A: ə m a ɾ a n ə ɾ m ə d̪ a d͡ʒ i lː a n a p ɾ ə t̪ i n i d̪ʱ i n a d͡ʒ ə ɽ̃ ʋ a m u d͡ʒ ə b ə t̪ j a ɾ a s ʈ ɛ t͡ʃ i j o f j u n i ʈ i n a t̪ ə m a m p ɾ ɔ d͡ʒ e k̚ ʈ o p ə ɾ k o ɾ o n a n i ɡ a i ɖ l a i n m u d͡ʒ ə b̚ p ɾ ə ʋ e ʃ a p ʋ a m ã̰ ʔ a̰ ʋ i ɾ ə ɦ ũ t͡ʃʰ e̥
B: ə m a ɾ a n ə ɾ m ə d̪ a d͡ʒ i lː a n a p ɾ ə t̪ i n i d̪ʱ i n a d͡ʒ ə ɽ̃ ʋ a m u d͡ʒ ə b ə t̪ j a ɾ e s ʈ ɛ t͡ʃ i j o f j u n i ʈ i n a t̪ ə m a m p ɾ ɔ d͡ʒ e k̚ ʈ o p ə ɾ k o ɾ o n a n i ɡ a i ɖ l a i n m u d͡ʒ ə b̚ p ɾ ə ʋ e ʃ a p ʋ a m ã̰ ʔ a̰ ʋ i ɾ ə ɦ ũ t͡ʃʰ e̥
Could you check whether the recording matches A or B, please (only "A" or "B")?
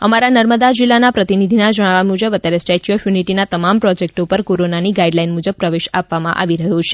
B